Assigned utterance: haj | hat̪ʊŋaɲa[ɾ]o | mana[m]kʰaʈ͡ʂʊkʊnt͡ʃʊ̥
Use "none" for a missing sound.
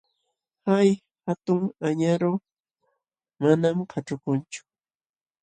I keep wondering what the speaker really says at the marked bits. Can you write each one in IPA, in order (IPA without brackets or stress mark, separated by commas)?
ɾ, m